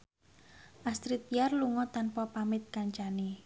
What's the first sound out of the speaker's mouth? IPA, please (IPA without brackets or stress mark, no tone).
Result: ʔ